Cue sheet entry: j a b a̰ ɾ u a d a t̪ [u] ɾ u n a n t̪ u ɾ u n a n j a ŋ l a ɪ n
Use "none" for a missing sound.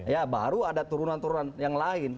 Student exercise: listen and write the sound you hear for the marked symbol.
u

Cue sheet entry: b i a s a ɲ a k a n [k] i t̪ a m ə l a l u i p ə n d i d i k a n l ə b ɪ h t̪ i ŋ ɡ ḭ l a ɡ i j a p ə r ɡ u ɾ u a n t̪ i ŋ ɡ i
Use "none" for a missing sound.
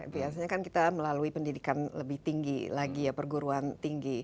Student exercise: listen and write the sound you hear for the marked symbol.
k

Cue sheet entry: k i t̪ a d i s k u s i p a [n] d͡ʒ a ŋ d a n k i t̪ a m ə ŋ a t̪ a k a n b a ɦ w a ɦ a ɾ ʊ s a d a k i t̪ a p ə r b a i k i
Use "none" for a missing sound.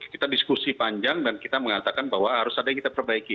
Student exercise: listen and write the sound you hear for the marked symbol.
ɲ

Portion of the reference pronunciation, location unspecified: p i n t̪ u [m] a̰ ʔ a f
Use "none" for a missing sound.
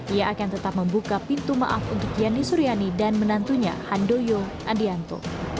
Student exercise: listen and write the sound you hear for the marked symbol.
m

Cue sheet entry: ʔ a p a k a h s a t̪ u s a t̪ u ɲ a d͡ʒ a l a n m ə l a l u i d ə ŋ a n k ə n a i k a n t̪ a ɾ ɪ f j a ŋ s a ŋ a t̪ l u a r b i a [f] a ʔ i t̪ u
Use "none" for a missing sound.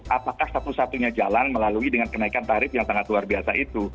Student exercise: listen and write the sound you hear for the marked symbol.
s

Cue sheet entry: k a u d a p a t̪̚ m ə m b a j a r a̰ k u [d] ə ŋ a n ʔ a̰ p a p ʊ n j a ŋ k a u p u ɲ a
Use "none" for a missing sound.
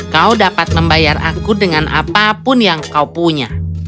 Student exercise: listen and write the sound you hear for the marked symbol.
d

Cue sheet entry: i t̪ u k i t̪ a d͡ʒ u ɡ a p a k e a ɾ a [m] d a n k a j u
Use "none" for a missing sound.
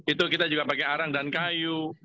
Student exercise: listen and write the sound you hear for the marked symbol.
ŋ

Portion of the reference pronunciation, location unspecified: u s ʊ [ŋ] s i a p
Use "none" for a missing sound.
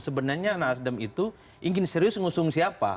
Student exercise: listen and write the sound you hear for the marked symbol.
ŋ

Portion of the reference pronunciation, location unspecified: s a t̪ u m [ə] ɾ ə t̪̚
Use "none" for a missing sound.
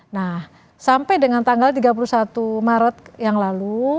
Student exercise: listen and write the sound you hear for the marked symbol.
a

